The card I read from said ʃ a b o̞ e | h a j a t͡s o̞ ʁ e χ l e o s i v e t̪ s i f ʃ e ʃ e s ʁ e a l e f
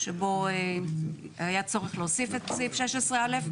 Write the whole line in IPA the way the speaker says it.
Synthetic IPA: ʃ e b o̞ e | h a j a t͡s o̞ ʁ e χ l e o s i f e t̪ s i f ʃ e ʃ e s ʁ e a l e f